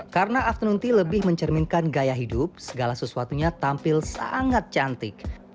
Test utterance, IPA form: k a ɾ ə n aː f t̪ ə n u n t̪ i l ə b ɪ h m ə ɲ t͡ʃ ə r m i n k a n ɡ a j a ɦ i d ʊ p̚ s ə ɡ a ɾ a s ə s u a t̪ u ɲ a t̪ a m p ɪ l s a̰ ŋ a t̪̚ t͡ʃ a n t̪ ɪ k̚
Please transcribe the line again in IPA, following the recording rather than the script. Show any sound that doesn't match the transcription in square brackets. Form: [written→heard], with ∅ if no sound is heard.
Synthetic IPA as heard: k a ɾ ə n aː f t̪ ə n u n t̪ i l ə b ɪ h m ə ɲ t͡ʃ ə r m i n k a n ɡ a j a ɦ i d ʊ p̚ s ə ɡ a [ɾ→l] a s ə s u a t̪ u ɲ a t̪ a m p ɪ l s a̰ ŋ a t̪̚ t͡ʃ a n t̪ ɪ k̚